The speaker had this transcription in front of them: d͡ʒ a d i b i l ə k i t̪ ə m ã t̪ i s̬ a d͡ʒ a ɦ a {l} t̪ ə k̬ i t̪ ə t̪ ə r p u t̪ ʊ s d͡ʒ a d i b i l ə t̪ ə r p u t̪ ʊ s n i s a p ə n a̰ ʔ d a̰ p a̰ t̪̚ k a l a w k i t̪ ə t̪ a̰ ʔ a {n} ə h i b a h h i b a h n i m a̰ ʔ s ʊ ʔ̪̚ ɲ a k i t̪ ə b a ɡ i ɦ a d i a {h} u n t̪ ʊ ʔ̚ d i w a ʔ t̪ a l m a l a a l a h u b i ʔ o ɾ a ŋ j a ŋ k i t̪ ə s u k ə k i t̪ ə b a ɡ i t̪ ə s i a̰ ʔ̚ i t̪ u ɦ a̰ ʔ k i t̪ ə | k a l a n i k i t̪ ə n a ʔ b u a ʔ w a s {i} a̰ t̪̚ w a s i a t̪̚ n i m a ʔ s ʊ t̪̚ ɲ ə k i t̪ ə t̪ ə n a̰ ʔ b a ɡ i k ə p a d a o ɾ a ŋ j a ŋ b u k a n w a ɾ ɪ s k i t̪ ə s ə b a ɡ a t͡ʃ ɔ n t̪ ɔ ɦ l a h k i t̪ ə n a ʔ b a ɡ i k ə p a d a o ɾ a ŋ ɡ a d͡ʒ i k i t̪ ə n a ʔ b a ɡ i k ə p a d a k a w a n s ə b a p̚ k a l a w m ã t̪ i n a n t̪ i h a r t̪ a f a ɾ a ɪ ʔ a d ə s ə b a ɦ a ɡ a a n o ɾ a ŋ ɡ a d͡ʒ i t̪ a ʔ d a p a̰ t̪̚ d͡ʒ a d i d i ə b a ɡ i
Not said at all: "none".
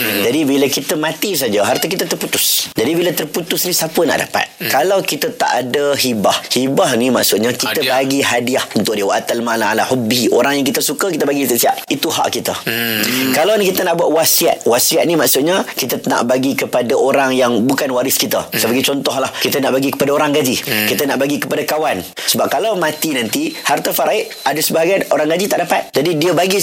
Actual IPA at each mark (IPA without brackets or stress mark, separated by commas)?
r, d, h, i